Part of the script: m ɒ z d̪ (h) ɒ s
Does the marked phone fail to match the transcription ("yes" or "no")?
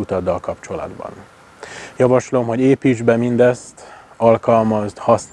no